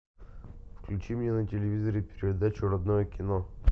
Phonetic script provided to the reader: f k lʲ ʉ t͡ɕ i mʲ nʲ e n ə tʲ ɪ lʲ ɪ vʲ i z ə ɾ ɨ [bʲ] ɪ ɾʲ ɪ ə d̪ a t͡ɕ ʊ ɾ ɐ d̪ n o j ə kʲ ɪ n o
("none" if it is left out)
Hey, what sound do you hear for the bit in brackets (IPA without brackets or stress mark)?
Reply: pʲ